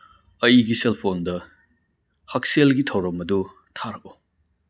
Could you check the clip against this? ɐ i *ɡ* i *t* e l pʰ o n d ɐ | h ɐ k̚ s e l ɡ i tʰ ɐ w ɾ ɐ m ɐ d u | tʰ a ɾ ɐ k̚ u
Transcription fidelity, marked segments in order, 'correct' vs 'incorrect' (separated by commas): correct, incorrect